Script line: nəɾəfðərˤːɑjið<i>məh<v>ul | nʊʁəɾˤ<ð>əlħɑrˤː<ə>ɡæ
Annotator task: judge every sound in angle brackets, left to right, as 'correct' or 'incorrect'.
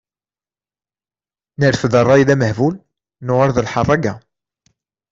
incorrect: æ, correct, correct, incorrect: ɑ

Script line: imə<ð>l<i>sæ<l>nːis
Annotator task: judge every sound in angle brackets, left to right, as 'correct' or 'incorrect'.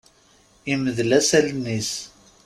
correct, incorrect: æ, correct

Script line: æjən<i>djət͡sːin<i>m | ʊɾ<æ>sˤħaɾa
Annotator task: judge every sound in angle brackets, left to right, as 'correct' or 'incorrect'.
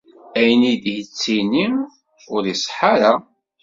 correct, correct, incorrect: i

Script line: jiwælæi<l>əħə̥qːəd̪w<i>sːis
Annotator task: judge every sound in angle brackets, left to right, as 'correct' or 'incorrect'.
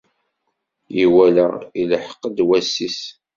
correct, incorrect: æ

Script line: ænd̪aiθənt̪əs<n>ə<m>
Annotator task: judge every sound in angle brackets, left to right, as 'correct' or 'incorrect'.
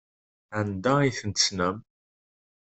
correct, correct

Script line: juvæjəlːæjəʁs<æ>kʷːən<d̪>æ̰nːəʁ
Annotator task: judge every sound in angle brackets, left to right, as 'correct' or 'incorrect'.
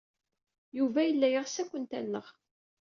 correct, incorrect: t̪

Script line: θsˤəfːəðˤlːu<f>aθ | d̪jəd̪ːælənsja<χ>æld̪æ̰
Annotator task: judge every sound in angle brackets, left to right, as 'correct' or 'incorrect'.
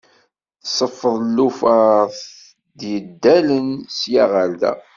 correct, incorrect: ʁ

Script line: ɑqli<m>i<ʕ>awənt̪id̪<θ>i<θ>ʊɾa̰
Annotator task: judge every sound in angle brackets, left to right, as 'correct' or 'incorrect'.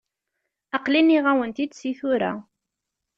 incorrect: n, incorrect: ʁ, incorrect: s, correct

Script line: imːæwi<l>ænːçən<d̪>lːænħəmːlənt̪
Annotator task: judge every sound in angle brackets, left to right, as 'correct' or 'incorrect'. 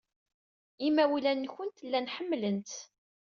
correct, incorrect: t̪

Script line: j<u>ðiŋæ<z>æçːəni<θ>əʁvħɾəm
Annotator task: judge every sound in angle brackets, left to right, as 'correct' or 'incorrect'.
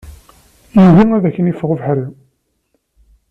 correct, incorrect: ð, incorrect: f

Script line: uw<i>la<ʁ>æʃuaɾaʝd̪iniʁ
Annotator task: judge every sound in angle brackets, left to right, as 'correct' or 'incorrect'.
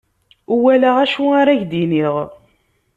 incorrect: æ, correct

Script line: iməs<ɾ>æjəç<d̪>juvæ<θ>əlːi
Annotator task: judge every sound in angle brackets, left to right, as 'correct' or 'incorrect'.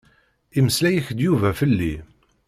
incorrect: l, correct, incorrect: f

